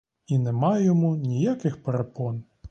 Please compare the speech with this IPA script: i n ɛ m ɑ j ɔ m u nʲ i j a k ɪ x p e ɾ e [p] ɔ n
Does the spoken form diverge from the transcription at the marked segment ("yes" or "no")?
no